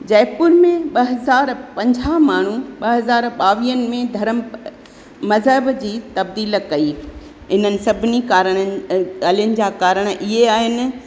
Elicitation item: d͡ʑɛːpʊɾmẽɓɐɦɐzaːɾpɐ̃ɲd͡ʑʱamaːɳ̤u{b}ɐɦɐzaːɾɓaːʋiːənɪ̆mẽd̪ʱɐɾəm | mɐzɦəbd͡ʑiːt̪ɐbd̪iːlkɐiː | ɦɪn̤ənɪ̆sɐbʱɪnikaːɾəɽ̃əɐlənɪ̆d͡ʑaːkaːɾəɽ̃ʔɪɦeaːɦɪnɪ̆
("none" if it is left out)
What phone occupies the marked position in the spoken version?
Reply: ɓ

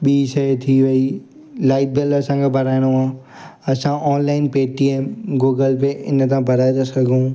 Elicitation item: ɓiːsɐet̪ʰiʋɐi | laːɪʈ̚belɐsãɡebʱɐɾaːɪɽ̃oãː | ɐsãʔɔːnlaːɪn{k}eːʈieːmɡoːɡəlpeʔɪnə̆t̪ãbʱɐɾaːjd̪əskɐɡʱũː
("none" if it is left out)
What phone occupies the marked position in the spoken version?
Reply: p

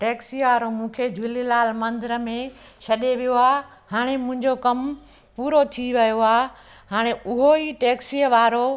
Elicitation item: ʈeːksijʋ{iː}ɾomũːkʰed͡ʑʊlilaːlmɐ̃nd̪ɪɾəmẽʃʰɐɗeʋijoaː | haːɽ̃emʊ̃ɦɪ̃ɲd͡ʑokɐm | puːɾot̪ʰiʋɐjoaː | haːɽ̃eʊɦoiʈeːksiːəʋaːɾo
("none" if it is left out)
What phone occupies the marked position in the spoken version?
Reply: aː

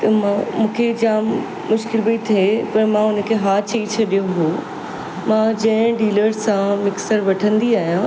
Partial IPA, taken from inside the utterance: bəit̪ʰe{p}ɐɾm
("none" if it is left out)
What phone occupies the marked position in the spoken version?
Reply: p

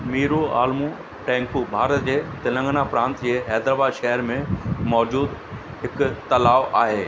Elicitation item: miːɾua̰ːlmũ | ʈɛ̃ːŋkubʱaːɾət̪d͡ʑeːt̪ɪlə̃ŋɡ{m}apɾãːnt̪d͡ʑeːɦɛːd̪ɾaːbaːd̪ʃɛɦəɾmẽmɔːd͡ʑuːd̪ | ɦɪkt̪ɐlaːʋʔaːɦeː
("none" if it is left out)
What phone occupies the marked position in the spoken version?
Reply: n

